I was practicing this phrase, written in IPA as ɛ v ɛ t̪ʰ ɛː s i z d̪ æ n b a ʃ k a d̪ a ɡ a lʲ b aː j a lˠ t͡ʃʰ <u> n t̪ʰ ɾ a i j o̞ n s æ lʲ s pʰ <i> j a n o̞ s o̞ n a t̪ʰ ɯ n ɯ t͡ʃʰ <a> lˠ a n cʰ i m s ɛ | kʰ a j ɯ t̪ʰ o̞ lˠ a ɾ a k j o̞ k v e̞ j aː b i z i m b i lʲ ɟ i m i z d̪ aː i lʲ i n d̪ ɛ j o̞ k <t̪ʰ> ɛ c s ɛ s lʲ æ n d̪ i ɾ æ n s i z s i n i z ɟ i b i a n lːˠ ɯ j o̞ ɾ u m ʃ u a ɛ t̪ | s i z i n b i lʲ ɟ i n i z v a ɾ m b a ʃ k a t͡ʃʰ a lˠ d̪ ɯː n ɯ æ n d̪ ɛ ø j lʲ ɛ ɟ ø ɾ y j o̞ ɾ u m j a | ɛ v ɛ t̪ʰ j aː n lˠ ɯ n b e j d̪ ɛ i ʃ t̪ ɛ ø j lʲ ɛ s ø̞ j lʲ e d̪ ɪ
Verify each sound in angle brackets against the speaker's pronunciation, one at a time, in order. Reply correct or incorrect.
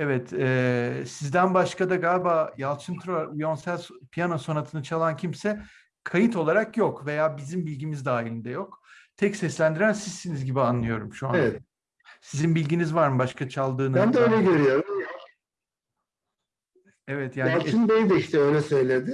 incorrect, correct, correct, correct

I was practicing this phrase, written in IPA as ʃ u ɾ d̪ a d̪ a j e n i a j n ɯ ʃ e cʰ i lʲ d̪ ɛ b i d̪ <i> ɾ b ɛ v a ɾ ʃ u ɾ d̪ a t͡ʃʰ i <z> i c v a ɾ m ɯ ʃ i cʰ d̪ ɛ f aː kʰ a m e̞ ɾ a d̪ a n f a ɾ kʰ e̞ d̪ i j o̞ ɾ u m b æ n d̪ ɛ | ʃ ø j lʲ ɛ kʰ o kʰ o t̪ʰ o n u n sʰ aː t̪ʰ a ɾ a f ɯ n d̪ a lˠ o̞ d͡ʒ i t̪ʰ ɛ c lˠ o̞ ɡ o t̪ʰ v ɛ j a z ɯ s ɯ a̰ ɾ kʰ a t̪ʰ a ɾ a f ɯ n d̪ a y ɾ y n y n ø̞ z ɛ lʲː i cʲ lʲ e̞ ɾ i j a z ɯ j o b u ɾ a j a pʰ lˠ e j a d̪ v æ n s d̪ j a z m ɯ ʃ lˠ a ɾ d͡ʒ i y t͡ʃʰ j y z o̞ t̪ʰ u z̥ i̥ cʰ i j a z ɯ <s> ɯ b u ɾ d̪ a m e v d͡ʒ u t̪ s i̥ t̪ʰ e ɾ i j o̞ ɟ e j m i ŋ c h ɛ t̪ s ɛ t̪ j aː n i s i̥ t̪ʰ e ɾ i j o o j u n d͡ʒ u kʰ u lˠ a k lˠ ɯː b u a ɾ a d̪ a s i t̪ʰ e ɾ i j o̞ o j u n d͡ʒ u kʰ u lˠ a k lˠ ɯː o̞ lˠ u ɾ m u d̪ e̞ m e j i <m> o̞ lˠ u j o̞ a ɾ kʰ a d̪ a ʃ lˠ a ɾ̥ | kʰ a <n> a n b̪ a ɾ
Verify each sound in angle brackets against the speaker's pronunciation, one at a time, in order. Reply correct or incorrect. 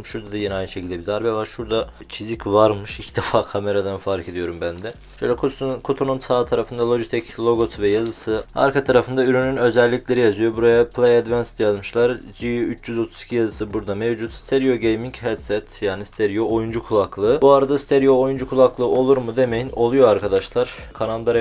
incorrect, correct, correct, incorrect, correct

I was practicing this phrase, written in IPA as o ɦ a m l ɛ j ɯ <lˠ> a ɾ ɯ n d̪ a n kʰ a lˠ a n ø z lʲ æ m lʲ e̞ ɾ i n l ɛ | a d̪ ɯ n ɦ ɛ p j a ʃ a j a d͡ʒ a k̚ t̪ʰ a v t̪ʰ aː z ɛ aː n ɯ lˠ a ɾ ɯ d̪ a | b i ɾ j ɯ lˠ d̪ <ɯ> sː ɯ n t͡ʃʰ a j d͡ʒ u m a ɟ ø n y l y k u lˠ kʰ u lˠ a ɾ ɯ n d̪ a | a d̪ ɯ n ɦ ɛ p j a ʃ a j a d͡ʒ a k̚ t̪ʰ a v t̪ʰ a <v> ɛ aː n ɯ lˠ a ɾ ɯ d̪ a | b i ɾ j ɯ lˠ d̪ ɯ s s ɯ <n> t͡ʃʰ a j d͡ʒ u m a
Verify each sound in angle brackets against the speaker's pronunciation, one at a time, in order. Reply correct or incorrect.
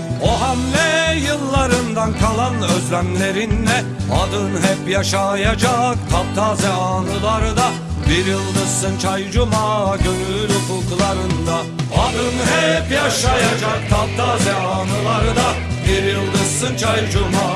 incorrect, correct, incorrect, correct

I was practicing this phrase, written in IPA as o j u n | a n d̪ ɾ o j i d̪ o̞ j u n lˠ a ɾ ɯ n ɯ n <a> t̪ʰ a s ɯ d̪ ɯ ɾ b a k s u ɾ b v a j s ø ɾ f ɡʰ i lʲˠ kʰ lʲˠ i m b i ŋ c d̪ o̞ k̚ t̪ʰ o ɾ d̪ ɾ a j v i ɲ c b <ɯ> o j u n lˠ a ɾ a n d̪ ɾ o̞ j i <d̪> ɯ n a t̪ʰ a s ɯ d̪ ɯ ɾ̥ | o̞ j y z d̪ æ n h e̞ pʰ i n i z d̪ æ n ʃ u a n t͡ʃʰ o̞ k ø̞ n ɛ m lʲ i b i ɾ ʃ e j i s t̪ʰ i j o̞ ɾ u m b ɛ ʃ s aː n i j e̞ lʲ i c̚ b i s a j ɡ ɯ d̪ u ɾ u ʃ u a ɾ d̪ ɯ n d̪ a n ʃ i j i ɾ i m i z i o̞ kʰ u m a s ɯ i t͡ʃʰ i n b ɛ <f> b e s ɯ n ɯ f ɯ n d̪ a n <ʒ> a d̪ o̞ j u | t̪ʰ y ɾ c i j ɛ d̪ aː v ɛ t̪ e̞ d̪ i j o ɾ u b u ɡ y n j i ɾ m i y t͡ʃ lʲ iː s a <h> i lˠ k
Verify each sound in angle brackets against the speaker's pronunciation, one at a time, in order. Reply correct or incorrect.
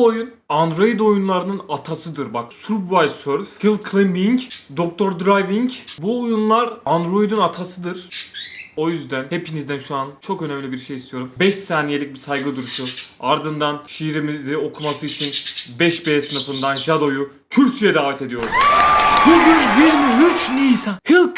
correct, incorrect, correct, incorrect, correct, correct

